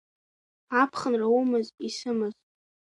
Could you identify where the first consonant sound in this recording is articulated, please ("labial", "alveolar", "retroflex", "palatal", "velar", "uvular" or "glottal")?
labial